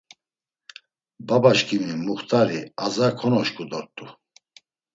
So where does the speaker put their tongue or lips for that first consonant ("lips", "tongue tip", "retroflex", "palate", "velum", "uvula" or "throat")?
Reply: lips